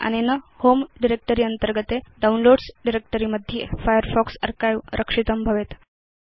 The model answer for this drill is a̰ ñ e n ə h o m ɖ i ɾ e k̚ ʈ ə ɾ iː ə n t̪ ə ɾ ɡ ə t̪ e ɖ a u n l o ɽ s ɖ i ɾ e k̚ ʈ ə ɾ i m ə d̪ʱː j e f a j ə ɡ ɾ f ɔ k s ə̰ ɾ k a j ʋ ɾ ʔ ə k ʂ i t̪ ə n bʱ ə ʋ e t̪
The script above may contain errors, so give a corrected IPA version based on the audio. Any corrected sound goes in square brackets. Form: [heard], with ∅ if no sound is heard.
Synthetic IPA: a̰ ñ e n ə h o m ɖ i ɾ e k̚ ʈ ə ɾ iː ə n t̪ ə ɾ ɡ ə t̪ e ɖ a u n l o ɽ s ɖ i ɾ e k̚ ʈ ə ɾ i m ə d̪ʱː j e f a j ə [∅] ɾ f ɔ k s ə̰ ɾ k a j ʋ ɾ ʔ ə k ʂ i t̪ ə [m] bʱ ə ʋ e t̪